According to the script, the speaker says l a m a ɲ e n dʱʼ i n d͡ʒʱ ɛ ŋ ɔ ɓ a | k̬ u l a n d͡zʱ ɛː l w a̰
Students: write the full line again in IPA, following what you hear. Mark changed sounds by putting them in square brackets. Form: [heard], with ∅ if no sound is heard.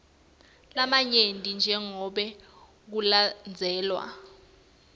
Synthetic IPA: l a m a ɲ e n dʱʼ i n d͡ʒʱ ɛ ŋ ɔ ɓ [ɛ] | k̬ u l a n d͡zʱ ɛː l w a̰